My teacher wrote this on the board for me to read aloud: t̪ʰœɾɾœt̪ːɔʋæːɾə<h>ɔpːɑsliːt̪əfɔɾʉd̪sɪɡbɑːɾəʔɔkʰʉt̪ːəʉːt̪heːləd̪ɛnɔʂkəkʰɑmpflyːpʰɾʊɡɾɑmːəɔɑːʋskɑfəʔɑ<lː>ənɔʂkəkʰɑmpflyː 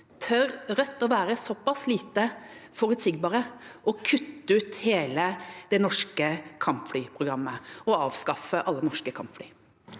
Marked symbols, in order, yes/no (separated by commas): no, yes